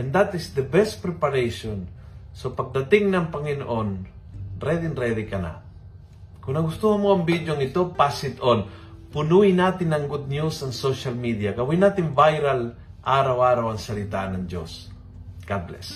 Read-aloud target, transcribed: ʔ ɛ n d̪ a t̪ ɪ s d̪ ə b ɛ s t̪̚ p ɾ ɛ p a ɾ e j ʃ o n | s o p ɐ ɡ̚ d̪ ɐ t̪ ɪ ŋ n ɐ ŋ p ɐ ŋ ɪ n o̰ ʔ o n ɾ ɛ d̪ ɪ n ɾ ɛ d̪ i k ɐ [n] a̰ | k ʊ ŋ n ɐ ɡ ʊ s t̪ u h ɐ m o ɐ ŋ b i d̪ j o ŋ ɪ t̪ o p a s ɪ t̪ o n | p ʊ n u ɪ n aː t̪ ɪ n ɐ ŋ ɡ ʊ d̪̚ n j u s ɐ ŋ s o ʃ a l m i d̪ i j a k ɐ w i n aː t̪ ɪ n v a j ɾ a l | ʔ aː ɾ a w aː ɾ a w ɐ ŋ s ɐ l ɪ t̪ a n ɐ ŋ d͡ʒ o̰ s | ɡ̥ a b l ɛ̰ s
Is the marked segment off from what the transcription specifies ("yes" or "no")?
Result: no